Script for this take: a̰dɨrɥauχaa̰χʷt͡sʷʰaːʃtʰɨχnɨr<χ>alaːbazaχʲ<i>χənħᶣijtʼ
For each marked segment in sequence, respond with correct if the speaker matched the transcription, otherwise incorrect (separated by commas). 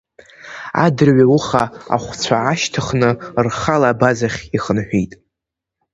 correct, correct